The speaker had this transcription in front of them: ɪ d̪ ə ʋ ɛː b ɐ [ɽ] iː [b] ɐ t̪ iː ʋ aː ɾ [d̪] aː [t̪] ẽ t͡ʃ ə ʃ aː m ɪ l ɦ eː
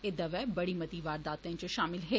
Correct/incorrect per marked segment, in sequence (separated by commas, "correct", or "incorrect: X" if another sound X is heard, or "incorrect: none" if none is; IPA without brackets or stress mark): correct, incorrect: m, correct, correct